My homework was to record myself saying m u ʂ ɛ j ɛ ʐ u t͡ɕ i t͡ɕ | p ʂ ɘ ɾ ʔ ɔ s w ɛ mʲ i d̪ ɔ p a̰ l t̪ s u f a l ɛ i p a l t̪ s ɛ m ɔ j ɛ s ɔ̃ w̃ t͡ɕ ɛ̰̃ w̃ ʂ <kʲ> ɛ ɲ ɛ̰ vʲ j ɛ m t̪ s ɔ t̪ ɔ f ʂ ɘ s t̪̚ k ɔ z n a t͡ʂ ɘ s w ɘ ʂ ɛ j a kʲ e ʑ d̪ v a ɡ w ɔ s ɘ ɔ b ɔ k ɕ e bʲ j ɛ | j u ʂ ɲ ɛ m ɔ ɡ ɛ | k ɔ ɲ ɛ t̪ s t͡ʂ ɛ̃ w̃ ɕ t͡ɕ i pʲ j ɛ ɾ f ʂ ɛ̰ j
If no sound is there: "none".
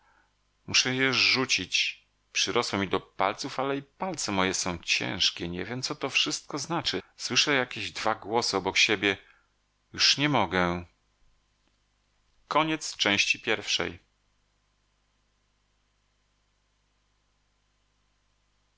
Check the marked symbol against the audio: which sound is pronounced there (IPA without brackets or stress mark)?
kʲ